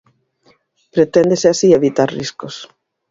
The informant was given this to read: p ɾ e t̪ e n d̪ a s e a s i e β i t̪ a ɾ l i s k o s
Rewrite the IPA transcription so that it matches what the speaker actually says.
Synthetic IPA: p ɾ e t̪ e n d̪ e s e a s i e β i t̪ a ɾ r i s k o s